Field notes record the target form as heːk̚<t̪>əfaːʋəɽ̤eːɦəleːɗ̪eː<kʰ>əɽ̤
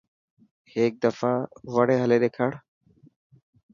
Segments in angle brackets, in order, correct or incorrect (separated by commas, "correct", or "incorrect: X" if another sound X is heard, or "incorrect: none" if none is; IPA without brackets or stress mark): incorrect: d̪, correct